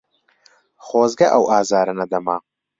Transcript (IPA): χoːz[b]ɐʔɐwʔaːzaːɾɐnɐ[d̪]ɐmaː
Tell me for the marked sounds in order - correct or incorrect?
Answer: incorrect, correct

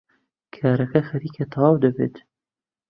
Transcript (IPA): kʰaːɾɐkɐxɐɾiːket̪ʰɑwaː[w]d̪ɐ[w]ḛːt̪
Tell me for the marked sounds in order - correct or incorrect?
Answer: correct, incorrect

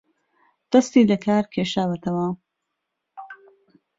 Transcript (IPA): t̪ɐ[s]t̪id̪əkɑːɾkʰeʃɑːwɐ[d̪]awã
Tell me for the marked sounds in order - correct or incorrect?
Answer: correct, incorrect

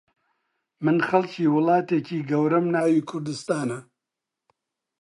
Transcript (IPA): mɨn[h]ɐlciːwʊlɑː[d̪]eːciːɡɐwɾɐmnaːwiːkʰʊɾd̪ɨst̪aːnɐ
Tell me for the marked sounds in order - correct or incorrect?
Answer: incorrect, incorrect

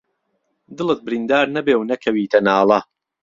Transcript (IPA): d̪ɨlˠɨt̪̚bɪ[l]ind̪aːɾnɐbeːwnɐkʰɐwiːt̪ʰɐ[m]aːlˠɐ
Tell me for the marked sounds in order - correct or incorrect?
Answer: incorrect, incorrect

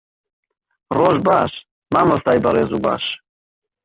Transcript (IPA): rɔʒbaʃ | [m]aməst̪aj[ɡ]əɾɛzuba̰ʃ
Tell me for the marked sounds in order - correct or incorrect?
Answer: correct, incorrect

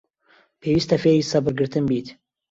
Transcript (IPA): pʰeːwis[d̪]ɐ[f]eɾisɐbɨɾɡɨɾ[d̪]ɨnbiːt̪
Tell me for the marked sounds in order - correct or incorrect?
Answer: incorrect, correct, incorrect

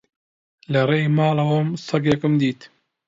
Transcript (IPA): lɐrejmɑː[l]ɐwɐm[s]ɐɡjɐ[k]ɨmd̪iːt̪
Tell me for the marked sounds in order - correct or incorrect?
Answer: correct, correct, correct

